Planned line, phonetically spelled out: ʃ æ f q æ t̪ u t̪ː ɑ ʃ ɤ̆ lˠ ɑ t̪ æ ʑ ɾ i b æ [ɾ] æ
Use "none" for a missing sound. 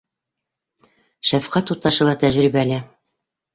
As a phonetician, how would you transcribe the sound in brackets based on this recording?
l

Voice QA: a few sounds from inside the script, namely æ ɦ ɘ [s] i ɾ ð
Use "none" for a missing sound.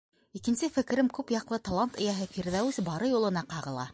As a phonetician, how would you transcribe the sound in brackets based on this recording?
f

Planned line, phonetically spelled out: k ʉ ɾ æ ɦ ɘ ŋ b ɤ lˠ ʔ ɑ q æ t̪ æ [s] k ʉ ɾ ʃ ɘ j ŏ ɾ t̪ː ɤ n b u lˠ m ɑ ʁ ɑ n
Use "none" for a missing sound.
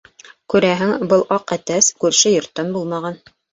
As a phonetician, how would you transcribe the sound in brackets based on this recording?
s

